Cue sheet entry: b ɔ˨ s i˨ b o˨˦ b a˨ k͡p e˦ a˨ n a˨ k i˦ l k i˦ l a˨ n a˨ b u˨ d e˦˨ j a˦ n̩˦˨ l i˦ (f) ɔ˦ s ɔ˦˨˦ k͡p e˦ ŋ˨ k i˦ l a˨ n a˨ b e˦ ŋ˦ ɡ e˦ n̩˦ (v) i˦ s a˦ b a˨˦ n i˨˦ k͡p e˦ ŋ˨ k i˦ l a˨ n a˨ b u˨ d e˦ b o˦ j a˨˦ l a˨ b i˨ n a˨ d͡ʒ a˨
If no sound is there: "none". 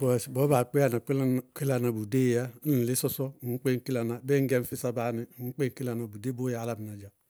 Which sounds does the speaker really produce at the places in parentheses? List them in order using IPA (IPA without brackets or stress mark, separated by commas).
s, f